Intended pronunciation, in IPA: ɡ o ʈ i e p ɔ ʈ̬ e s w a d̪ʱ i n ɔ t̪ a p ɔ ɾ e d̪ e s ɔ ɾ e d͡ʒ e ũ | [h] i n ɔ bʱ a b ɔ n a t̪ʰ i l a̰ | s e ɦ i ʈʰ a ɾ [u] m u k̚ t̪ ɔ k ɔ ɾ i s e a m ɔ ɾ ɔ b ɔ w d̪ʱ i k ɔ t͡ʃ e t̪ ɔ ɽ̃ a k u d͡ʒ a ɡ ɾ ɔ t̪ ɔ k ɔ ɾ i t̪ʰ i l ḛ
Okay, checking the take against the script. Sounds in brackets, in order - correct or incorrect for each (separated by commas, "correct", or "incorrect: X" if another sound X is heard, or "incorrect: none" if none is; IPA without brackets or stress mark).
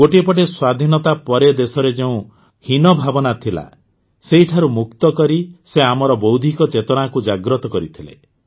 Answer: correct, correct